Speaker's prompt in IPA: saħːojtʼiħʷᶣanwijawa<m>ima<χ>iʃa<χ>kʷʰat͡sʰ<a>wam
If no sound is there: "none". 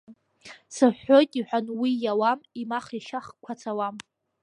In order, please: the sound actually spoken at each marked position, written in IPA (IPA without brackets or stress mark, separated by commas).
m, χ, χ, a